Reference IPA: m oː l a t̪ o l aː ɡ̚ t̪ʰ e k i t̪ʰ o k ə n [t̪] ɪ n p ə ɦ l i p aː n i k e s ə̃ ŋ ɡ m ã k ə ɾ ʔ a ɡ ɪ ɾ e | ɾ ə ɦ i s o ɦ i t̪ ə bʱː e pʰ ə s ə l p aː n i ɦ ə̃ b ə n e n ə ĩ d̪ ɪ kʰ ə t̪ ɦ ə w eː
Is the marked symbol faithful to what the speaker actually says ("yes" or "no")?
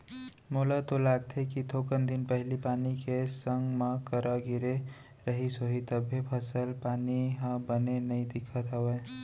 no